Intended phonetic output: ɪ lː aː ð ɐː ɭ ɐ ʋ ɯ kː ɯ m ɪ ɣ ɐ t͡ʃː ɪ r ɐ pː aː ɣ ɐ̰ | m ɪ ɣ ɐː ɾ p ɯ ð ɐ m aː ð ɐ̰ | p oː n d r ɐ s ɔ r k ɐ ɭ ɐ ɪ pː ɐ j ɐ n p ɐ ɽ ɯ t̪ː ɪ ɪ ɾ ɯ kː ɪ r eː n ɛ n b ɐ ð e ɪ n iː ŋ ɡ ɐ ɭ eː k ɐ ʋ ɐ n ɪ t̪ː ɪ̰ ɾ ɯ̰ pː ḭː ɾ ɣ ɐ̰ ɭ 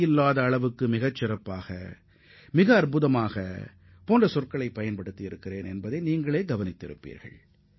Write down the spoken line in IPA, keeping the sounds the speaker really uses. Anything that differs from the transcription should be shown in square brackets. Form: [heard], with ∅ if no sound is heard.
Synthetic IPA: ɪ lː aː ð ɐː ɭ ɐ ʋ ɯ kː ɯ m ɪ ɣ ɐ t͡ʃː ɪ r ɐ pː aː ɣ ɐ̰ | m ɪ ɣ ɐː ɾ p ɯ ð ɐ m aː [ɣ] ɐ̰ | p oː n d r ɐ s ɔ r k ɐ ɭ ɐ ɪ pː ɐ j ɐ n p ɐ ɽ ɯ t̪ː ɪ ɪ ɾ ɯ kː ɪ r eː n ɛ n b ɐ ð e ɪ n iː ŋ ɡ ɐ ɭ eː [ɡ] ɐ ʋ ɐ n ɪ t̪ː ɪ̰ ɾ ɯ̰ pː ḭː ɾ ɣ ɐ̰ ɭ